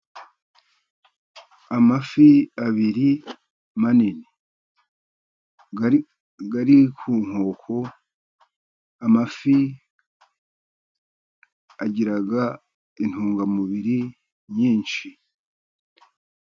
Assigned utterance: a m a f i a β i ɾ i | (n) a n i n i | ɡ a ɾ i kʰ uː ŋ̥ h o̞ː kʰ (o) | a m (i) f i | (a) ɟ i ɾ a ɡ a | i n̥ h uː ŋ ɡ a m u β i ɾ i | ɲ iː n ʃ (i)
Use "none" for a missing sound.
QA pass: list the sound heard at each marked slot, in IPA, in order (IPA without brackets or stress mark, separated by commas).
m, o, a, a, i